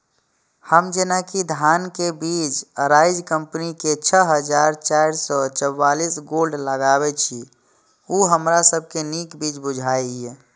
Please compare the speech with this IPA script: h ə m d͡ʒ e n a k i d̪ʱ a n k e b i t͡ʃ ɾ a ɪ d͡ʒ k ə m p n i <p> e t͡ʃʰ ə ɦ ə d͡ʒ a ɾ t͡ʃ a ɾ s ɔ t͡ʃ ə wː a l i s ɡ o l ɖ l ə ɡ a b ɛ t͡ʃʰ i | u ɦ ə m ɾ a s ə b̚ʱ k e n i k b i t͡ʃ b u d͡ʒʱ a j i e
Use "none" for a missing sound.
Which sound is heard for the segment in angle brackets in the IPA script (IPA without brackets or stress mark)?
k